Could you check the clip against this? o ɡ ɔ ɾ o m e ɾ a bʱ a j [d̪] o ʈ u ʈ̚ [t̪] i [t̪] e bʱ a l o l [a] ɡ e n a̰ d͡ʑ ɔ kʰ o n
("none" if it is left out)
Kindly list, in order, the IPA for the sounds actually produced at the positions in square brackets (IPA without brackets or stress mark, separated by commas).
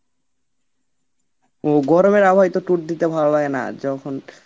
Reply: t̪, d̪, t̪, a